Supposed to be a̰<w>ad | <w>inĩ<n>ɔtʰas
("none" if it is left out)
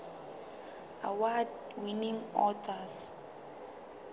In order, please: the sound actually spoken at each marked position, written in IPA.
w, w, ŋ

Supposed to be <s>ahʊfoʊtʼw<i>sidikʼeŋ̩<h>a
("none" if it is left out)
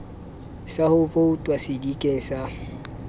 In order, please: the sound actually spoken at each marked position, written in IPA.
s, a, s

